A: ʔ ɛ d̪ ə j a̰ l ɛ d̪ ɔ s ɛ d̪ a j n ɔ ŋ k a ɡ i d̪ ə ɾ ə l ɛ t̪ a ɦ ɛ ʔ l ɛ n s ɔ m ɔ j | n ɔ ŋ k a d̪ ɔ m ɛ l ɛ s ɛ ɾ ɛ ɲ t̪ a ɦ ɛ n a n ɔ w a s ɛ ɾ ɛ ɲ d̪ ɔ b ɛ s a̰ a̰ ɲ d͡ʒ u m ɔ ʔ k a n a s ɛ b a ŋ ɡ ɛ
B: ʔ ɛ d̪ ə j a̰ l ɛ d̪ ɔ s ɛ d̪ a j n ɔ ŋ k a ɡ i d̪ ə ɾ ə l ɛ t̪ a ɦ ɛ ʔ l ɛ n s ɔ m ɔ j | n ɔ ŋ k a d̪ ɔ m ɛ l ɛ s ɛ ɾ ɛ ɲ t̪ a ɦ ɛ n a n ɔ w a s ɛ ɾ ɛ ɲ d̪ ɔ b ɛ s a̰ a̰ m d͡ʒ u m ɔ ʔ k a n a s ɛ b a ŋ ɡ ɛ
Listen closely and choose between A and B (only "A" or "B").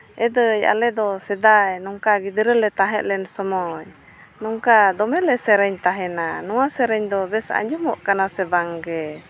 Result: A